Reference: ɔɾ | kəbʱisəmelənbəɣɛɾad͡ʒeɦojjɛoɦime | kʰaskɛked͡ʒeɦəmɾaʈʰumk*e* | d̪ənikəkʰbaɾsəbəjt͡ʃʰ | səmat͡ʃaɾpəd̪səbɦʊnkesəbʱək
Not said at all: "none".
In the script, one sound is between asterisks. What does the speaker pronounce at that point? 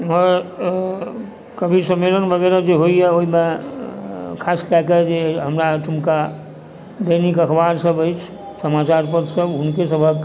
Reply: a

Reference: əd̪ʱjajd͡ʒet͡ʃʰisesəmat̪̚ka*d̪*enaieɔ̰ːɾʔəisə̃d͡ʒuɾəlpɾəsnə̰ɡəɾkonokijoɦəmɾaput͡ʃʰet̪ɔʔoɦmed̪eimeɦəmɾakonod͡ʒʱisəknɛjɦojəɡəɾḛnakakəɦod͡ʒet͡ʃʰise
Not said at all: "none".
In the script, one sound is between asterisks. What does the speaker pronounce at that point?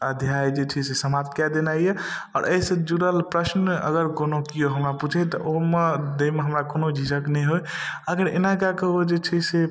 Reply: d̪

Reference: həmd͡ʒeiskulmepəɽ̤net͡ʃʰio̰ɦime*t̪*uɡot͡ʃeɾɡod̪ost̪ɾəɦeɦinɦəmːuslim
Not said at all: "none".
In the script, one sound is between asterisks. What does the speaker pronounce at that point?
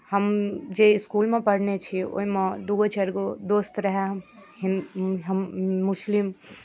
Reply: d̪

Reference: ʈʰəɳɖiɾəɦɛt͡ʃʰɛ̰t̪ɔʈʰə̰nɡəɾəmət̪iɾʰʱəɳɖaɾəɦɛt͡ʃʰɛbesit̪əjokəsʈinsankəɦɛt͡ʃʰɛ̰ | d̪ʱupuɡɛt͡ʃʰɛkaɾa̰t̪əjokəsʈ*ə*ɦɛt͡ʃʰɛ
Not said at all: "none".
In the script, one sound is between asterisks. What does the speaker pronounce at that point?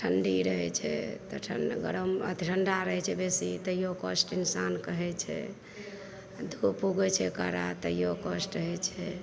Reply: ə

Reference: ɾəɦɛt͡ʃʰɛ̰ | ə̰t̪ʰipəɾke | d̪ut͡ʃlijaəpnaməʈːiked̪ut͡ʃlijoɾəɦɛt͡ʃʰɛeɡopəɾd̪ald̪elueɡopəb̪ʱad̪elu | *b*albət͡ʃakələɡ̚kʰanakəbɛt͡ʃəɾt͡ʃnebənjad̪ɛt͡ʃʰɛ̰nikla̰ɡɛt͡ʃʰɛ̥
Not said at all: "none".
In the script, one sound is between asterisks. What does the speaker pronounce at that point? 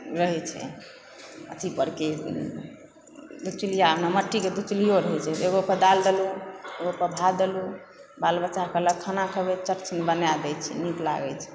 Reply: b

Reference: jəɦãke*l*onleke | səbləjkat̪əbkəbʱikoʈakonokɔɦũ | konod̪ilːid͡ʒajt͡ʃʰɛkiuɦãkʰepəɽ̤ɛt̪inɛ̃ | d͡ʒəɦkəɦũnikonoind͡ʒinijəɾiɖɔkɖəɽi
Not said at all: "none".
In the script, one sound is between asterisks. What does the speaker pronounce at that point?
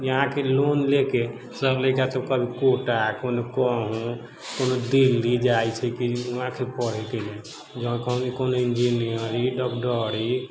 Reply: l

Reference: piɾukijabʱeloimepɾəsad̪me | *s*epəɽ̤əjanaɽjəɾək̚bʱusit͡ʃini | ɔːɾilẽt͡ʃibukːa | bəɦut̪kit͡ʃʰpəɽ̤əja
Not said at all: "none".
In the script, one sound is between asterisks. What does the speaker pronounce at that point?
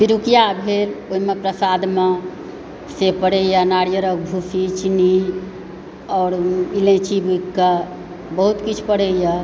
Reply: s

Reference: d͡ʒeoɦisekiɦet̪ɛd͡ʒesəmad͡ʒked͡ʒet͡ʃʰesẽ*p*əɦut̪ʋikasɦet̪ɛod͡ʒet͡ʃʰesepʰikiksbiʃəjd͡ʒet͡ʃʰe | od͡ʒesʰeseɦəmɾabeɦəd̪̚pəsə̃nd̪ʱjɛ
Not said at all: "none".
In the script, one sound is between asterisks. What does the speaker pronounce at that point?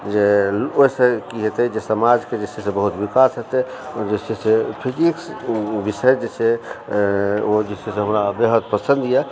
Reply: b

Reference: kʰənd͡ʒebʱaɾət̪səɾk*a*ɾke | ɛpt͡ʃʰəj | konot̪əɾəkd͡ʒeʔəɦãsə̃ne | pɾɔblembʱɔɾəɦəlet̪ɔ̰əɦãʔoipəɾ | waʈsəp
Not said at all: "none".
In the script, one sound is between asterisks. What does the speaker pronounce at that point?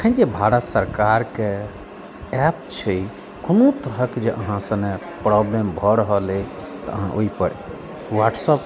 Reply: a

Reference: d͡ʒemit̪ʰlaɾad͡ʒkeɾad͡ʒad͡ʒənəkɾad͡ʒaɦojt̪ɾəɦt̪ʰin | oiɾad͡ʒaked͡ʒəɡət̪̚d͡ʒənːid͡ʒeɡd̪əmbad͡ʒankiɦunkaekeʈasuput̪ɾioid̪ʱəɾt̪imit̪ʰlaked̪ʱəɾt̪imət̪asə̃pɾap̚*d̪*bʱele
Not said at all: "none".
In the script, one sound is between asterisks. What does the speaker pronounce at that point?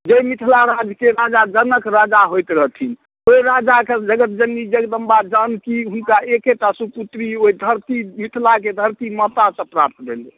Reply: t̪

